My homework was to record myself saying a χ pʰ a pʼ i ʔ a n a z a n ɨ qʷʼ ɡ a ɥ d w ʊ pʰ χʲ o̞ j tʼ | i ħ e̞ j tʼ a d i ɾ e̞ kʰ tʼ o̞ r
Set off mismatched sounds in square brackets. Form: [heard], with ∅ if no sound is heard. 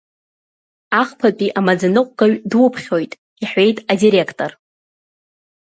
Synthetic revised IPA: a χ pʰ a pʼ i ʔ a [m] a [d͡z] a n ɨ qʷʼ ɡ a ɥ d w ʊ pʰ χʲ o̞ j tʼ | i ħ e̞ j tʼ a d i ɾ e̞ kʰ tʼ o̞ r